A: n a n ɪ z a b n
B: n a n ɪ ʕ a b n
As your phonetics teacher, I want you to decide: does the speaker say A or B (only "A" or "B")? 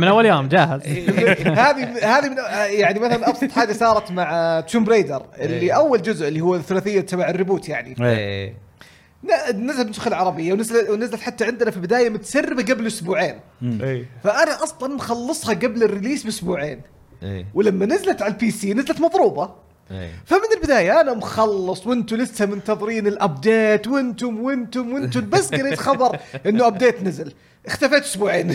A